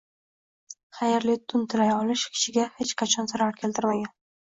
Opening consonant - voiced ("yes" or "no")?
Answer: no